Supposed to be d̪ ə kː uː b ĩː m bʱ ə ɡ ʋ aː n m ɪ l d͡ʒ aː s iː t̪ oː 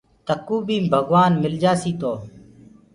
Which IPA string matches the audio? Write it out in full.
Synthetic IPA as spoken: t̪ ə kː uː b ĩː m bʱ ə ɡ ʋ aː n m ɪ l d͡ʒ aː s iː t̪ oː